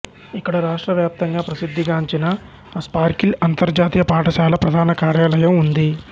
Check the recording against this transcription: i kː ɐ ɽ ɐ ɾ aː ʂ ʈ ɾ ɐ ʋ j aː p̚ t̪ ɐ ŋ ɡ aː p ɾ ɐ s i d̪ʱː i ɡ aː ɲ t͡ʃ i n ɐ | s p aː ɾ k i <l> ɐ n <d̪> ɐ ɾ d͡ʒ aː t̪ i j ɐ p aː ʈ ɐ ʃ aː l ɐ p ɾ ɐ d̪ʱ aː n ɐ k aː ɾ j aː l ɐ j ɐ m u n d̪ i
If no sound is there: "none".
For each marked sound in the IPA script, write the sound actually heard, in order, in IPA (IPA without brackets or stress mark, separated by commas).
l, t̪